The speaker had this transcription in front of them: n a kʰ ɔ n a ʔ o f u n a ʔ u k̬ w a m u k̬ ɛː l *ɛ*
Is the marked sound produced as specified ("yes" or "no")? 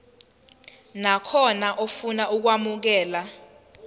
no